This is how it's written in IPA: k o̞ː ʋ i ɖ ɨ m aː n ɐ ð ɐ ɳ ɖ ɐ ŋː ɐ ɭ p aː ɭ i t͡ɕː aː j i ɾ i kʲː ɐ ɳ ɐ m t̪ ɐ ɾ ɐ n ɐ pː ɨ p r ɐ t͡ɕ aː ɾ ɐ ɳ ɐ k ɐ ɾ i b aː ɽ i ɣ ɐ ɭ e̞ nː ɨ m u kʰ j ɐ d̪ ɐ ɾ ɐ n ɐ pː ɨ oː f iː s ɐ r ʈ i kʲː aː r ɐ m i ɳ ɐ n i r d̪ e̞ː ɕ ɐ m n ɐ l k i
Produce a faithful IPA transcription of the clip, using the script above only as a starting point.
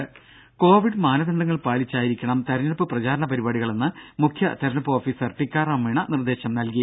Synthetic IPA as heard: k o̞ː ʋ i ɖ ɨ m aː n ɐ ð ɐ ɳ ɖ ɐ ŋː ɐ ɭ p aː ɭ i t͡ɕː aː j i ɾ i kʲː ɐ ɳ ɐ m t̪ ɐ ɾ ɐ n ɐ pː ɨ p r ɐ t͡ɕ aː ɾ ɐ ɳ ɐ p ɐ ɾ i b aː ɽ i ɣ ɐ ɭ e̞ nː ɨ m u kʰ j ɐ t̪ ɐ ɾ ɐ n ɐ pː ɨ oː f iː s ɐ r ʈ i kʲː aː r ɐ m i ɳ ɐ n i r d̪ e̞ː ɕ ɐ m n ɐ l k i